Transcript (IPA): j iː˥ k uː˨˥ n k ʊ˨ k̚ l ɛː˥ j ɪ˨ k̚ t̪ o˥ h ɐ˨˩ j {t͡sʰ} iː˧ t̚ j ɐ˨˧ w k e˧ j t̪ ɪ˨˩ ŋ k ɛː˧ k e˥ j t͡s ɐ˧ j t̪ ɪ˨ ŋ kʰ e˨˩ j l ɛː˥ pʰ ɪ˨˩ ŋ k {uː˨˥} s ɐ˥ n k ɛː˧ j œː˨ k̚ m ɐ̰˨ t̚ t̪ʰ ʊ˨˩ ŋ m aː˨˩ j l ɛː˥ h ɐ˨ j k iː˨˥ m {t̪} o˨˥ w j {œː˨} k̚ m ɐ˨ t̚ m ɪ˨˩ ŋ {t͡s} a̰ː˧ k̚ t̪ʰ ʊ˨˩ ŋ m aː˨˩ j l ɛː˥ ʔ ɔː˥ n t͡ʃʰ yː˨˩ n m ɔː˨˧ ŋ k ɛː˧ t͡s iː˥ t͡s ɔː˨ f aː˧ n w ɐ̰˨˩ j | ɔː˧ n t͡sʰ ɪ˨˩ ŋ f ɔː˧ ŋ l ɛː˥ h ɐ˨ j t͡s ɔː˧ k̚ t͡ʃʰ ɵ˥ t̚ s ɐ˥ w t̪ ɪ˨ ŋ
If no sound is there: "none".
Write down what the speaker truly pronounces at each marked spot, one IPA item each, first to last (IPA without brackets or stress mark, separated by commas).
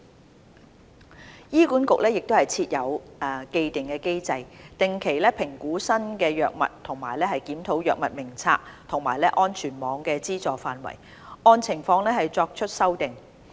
t͡sʰ, uː˨˥, t̪ʰ, œː˨, t͡sʰ